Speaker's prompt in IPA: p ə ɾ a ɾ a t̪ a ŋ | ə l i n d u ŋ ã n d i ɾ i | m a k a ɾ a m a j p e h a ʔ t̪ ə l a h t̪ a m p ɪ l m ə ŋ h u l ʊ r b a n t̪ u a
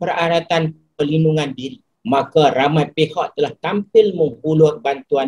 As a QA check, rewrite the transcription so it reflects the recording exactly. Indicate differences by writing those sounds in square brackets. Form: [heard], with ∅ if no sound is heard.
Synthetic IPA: p ə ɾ a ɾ a t̪ a [n] | ə l i n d u ŋ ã n d i ɾ i | m a k a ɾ a m a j p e h a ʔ t̪ ə l a h t̪ a m p ɪ l m ə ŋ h u l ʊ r b a n t̪ u a